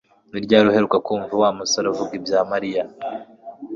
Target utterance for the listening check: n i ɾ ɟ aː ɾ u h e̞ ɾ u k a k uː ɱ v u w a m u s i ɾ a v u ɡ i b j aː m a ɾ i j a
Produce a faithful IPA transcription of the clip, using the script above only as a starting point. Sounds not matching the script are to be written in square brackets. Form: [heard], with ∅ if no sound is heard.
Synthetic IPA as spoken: n i ɾ ɟ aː ɾ u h e̞ ɾ u k a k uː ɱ v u w a m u s [a] ɾ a v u ɡ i b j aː m a ɾ i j a